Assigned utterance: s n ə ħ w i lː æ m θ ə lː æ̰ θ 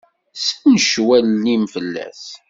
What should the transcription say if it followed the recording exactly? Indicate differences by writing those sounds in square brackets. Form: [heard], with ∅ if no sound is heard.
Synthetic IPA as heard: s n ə [ʃ] w [æ] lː [i] m [f] ə lː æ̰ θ